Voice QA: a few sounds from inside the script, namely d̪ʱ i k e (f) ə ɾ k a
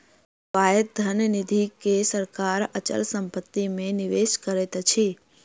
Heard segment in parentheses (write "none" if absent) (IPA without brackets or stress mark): s